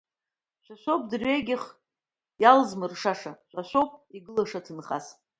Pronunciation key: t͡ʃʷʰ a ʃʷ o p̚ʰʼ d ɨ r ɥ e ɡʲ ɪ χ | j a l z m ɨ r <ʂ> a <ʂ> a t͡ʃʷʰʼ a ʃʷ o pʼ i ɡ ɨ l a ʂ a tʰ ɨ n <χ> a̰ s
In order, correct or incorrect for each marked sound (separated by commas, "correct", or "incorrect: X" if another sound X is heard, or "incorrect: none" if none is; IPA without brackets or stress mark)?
correct, correct, correct